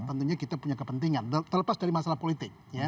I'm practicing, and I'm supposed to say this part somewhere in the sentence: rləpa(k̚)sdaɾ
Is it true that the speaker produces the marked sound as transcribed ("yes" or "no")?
no